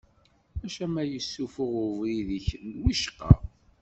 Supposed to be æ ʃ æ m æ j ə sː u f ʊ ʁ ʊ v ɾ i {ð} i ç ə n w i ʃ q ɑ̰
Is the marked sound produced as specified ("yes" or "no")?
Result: yes